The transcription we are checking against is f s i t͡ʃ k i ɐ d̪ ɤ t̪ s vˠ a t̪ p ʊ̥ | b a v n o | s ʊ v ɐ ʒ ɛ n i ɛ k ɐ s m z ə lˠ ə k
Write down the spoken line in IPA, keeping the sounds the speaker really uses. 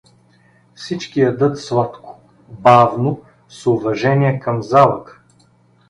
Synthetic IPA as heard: f s i t͡ʃ k i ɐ d̪ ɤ t̪ s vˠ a t̪ k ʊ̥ | b a v n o | s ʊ v ɐ ʒ ɛ n i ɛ k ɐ m z a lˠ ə k

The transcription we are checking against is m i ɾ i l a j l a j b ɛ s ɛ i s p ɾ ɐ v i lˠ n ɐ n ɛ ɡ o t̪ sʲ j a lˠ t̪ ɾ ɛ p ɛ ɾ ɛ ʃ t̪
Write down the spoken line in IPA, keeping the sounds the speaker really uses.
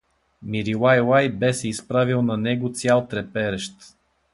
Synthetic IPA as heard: m i ɾ i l a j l a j b ɛ s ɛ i s p ɾ a v i lˠ n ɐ n ɛ ɡ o t̪ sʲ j a lˠ t̪ ɾ ɛ p ɛ ɾ ɛ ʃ t̪

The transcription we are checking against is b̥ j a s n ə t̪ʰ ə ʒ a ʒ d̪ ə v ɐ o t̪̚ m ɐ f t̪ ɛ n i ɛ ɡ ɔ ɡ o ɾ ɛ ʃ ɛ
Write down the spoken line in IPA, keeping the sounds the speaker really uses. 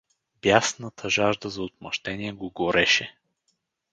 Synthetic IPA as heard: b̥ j a s n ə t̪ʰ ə ʒ a ʒ d̪ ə z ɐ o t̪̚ m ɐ ʃ t̪ ɛ n i ɛ ɡ o ɡ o ɾ ɛ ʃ ɛ

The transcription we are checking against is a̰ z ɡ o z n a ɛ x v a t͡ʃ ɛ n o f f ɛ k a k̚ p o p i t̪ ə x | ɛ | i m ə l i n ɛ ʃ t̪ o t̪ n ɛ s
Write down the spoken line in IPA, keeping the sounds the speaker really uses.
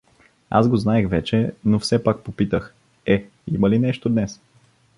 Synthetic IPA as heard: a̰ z ɡ o z n a ɛ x v ɛ t͡ʃ ɛ n o f s ɛ p a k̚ p o p i t̪ ə x | ɛ | i m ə l i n ɛ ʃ t̪ o d̪ n ɛ s

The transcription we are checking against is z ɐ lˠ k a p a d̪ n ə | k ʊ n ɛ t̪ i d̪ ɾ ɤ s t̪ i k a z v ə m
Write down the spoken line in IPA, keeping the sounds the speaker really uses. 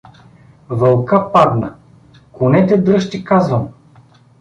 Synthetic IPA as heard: v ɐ lˠ k a p a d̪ n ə | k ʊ n ɛ t̪ ɛ d̪ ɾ ɤ ʃ t̪ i k a z v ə m

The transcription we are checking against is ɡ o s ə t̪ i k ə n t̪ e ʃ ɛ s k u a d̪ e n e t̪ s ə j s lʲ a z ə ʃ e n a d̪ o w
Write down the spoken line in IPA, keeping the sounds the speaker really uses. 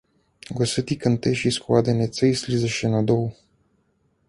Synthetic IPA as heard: ɡ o s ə t̪ i k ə n t̪ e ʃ i s k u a d̪ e n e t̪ s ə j s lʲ i z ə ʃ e n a d̪ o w

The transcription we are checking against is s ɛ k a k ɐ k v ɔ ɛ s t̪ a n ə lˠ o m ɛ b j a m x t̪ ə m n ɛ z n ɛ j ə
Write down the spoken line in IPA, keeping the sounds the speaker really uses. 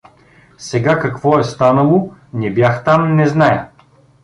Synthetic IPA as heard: s ɛ ɡ a k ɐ k v ɔ ɛ s t̪ a n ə lˠ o n ɛ b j a x t̪ a m n ɛ z n a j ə

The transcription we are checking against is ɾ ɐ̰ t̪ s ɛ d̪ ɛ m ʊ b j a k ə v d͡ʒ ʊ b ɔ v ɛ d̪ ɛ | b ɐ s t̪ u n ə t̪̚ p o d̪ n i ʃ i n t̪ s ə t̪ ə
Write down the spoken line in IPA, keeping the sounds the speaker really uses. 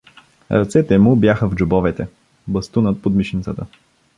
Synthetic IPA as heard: ɾ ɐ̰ t̪ s ɛ t̪ ɛ m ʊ b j a x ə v d͡ʒ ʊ b ɔ v ɛ t̪ ɛ | b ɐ s t̪ u n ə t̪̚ p o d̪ m i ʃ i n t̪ s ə t̪ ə

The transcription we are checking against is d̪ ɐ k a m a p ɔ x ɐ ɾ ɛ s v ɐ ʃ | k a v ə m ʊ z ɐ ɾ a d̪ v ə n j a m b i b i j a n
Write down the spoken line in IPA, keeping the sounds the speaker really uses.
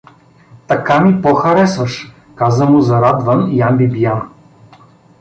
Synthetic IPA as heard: t̪ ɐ k a m i p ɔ x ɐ ɾ ɛ s v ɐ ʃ | k a z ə m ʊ z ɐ ɾ a d̪ v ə n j a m b i b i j a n

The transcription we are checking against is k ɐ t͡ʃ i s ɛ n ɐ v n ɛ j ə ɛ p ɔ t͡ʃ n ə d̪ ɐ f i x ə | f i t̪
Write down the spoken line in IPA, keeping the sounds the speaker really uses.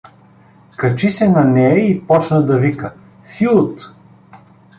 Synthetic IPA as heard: k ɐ t͡ʃ i s ɛ n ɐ n ɛ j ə i p ɔ t͡ʃ n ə d̪ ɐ v i k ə | f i t̪

